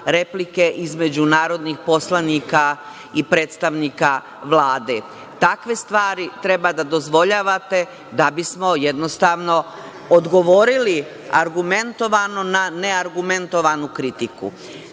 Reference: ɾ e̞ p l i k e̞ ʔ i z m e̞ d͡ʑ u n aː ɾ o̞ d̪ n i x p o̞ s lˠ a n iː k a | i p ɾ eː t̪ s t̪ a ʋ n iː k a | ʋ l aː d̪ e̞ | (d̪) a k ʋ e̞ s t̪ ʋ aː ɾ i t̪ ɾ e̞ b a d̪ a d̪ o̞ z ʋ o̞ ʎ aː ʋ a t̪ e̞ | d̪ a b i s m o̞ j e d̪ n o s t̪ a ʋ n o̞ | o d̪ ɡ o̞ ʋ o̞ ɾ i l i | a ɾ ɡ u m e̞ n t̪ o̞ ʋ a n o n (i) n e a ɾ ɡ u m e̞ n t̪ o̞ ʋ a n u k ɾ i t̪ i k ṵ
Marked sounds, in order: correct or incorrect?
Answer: incorrect: t̪, incorrect: a

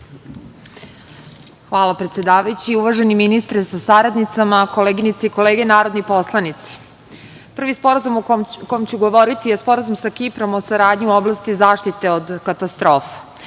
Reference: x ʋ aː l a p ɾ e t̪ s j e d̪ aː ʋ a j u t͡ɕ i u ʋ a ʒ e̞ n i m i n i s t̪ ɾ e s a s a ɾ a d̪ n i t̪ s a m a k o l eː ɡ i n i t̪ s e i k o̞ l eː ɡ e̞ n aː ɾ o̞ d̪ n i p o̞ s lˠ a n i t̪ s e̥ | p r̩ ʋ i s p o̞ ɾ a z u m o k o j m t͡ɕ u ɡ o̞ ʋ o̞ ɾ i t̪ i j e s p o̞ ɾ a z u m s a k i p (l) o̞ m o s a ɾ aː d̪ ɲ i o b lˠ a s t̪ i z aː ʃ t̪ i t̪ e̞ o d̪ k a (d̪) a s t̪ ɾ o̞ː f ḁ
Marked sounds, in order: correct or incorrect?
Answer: incorrect: ɾ, incorrect: t̪

